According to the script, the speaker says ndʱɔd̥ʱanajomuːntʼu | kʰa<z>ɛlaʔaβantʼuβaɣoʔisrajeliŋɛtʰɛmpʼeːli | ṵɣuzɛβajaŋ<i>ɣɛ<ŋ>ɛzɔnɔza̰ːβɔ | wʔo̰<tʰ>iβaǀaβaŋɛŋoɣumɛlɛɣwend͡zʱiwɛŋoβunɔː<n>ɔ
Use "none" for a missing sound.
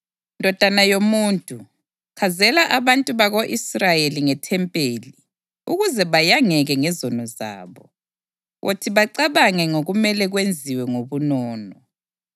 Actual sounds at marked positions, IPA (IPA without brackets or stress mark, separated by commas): z, ɛ, ŋ, tʰ, n